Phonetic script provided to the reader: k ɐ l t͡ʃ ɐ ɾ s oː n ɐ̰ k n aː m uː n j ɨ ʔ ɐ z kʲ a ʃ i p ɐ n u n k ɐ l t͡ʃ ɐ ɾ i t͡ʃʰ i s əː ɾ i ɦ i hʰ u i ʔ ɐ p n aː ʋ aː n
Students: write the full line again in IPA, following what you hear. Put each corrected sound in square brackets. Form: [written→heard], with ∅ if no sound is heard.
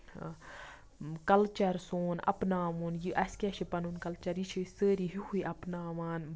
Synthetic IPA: k ɐ l t͡ʃ ɐ ɾ s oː n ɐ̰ [k→p] n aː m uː n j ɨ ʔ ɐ [z→s] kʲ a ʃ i p ɐ n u n k ɐ l t͡ʃ ɐ ɾ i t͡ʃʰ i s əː ɾ i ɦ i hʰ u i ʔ ɐ p n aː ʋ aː n

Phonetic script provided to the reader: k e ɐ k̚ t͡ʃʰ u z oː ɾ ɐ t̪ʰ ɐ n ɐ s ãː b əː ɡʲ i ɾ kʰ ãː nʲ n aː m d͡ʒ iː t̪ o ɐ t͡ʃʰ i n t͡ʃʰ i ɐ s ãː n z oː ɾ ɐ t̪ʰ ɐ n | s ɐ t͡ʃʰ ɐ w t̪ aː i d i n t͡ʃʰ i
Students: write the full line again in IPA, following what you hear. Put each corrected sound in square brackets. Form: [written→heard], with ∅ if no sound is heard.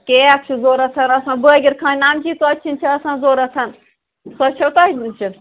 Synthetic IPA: k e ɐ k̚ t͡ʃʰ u z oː ɾ ɐ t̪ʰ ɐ n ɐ s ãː b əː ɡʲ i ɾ kʰ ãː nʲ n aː m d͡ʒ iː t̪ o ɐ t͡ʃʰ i n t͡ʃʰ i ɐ s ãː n z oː ɾ ɐ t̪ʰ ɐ n | s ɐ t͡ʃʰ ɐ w t̪ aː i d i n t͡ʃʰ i

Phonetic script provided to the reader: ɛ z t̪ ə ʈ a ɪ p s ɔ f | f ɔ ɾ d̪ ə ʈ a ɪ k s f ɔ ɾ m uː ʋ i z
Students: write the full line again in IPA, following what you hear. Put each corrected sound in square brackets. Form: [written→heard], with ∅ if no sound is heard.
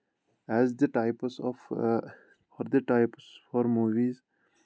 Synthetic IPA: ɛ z [t̪→d̪] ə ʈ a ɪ p s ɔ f | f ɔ ɾ d̪ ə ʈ a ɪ [k→p] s f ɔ ɾ m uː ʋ i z

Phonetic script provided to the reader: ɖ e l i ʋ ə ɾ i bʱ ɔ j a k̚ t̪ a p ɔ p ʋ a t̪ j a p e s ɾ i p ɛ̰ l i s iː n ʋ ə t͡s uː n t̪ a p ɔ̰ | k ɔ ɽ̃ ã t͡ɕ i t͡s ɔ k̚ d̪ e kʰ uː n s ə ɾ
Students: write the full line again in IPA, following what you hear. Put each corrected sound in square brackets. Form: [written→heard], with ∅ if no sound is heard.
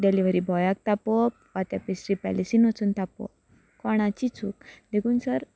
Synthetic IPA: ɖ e l i ʋ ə ɾ i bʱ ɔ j a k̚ t̪ a p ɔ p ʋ a t̪ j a p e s ɾ i p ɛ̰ l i s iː n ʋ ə t͡s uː n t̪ a p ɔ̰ | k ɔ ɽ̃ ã t͡ɕ i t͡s [ɔ→u] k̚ d̪ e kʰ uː n s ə ɾ

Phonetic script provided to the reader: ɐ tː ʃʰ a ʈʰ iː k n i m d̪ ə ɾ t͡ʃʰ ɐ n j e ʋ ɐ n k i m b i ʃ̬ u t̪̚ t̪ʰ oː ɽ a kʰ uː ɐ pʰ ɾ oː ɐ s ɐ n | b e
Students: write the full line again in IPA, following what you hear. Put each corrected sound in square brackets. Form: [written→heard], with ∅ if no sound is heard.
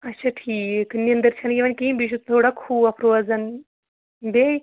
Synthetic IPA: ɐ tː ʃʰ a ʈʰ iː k n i [m→n] d̪ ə ɾ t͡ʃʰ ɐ n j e ʋ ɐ n k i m b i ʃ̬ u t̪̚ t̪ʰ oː ɽ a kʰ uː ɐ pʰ ɾ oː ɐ [s→z] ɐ n | b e

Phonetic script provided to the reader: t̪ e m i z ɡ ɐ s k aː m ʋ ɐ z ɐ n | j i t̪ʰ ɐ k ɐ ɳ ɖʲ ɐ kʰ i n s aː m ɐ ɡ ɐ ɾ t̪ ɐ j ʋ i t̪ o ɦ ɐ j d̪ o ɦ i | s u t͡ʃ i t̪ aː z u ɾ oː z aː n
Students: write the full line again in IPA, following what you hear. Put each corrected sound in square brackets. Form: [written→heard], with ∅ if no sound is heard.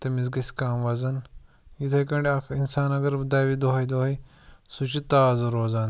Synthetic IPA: t̪ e m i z ɡ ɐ s k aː m ʋ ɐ z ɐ n | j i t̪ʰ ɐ k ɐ ɳ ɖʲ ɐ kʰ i n s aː [m→n] ɐ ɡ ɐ ɾ [t̪→d̪] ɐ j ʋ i [t̪→d̪] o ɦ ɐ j d̪ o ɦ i | s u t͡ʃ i t̪ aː z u ɾ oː z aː n

